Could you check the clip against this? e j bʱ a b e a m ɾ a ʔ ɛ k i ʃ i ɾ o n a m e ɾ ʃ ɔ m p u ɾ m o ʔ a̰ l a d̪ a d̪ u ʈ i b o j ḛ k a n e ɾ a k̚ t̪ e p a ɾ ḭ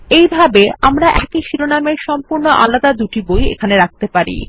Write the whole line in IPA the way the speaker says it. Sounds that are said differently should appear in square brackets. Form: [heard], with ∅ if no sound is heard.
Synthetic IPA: e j bʱ a b e a m ɾ a ʔ ɛ k i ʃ i ɾ o n a m e ɾ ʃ ɔ m p u ɾ [n] o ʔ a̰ l a d̪ a d̪ u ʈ i b o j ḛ [kʰ] a n e ɾ a k̚ t̪ e p a ɾ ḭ